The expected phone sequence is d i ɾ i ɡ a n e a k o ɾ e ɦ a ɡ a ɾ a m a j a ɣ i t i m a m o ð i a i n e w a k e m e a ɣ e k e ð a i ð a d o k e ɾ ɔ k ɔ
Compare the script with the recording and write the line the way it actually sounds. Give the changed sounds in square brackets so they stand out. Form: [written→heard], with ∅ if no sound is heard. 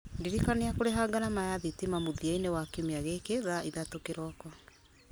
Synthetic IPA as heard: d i ɾ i [ɡ→k] a n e a k o ɾ e ɦ a ɡ a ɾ a m a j a [ɣ→ð] i t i m a m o ð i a i n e w a k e m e a ɣ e k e ð a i ð a [d→t] o k e ɾ ɔ k ɔ

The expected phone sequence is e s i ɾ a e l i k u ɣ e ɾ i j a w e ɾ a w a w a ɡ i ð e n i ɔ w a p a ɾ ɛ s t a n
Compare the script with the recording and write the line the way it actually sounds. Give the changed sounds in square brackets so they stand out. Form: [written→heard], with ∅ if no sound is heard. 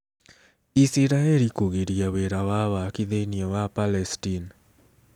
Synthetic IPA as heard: [e→i] s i ɾ a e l i k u ɣ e ɾ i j a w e ɾ a w a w a [ɡ→k] i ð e n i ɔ w a p a [ɾ→l] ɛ s t [a→i] n

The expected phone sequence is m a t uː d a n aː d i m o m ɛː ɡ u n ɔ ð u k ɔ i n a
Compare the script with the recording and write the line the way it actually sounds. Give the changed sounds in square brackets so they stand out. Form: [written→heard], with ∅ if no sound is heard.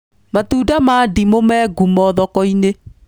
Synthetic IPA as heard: m a t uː d a [n→m] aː d i m o m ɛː ɡ u [n→m] ɔ ð [u→ɔ] k ɔ i n [a→e]

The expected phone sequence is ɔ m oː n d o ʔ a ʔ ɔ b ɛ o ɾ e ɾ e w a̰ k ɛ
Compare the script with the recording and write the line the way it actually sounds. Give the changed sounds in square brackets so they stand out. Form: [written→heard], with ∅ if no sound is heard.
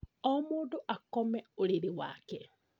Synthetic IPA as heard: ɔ m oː n d o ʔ a [ʔ→k] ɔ [b→m] ɛ o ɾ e ɾ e w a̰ k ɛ

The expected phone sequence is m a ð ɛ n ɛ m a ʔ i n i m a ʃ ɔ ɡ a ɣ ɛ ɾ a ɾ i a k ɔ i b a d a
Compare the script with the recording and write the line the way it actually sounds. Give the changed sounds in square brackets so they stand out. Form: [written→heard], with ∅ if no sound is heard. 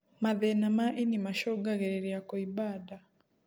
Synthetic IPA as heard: m a ð ɛ n [ɛ→a] m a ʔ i n i m a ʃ ɔ ɡ a ɣ ɛ ɾ [a→ɛ] ɾ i a k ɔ i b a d a

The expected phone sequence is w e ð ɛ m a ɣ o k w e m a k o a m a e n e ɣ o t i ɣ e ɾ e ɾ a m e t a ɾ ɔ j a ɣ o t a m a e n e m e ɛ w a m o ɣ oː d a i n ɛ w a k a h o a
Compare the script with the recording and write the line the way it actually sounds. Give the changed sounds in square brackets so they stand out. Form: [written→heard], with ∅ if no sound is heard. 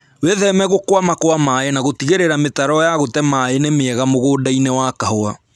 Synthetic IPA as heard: w e ð ɛ m [a→ɛ] ɣ o k w [e→a] m a k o a m a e n [e→a] ɣ o t i ɣ e ɾ e ɾ a m e t a ɾ ɔ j a ɣ o t [a→ɛ] m a e n e m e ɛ [w→ɣ] a m o ɣ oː d a i n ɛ w a k a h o a

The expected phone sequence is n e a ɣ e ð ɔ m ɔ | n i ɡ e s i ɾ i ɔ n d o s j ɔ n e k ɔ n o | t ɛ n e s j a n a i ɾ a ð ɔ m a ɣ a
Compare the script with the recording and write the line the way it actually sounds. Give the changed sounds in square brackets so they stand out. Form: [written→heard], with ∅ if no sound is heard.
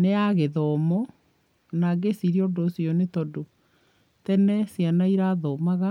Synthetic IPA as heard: n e a ɣ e ð ɔ m ɔ | n [i→a] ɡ e s i ɾ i ɔ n d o s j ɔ n e [k→t] ɔ [n→d] o | t ɛ n [e→ɛ] s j a n a i ɾ a ð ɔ m a ɣ a

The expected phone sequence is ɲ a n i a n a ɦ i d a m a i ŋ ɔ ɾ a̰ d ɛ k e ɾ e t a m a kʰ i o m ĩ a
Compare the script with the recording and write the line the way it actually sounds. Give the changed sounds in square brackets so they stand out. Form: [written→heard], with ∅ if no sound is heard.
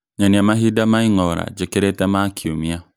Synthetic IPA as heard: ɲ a n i a [n→m] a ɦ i d a m a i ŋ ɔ ɾ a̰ [d→d͡ʒ] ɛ k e ɾ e t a m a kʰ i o m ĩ a

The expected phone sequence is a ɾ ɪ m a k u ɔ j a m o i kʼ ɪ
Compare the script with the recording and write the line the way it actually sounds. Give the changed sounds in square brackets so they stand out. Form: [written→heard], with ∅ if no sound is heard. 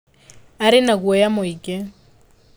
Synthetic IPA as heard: a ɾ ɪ [m→n] a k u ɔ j a m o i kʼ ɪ

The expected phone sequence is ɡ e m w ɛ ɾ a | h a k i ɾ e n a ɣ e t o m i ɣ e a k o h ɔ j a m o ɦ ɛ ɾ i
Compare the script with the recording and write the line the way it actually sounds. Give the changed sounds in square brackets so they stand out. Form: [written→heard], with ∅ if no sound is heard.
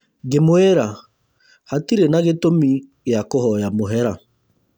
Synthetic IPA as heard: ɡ e m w ɛ ɾ a | h a [k→t] i ɾ e n a ɣ e t o m i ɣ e a k o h ɔ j a m o ɦ ɛ ɾ [i→a]

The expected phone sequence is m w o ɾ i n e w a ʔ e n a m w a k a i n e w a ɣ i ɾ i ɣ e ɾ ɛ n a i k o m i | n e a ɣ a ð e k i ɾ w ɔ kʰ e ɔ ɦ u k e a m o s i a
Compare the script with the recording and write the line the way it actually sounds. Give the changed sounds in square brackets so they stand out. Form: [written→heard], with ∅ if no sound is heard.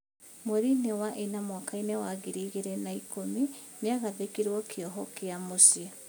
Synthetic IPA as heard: m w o ɾ i n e w a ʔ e n a m w a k a i n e w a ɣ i ɾ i ɣ e ɾ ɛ n a i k o m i | n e a ɣ a ð e k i ɾ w ɔ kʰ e ɔ ɦ [u→ɔ] k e a m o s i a

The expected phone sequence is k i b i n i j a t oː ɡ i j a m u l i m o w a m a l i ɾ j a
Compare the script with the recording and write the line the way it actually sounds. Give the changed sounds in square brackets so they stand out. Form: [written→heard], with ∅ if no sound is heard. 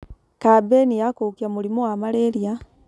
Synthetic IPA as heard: k [i→a] b [i→e] n i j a [t→k] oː [ɡ→k] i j a m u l i m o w a m a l [i→e] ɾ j a

